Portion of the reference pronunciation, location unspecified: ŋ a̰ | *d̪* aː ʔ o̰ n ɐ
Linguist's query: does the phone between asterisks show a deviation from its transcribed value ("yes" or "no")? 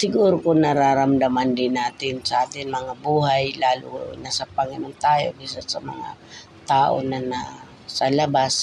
yes